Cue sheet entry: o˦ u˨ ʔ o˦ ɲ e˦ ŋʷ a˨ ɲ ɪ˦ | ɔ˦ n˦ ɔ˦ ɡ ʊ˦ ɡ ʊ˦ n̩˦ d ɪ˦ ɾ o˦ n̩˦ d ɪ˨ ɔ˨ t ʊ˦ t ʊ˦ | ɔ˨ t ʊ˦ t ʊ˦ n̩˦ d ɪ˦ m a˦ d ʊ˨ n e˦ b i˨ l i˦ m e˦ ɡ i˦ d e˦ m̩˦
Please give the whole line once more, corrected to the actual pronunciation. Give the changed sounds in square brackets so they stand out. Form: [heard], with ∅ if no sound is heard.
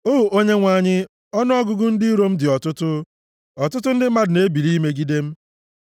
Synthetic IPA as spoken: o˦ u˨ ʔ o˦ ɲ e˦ ŋʷ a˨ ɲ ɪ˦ | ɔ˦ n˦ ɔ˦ ɡ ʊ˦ ɡ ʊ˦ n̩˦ d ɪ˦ ɾ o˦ [m̩˦] d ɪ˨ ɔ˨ t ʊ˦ t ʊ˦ | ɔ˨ t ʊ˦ t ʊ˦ n̩˦ d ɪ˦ m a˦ d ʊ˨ n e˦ b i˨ l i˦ m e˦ ɡ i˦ d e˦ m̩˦